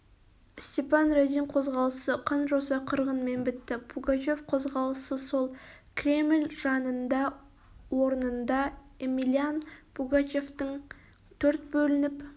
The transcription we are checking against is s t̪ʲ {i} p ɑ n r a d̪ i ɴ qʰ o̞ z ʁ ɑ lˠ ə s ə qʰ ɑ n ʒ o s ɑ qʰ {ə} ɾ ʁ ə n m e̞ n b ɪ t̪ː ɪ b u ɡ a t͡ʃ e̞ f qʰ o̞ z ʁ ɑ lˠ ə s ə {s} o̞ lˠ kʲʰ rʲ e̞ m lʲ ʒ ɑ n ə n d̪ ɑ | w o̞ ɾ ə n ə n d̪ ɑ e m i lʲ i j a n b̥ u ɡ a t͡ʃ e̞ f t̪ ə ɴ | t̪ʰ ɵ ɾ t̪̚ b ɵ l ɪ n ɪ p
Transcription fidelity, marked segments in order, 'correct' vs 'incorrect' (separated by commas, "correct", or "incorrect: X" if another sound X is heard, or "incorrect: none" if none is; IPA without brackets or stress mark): incorrect: e, correct, correct